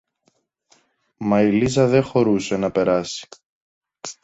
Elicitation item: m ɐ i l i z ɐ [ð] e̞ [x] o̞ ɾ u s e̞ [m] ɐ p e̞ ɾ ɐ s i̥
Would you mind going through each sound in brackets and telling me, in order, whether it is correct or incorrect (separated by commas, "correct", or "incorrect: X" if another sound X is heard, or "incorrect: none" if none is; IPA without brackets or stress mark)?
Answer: correct, correct, incorrect: n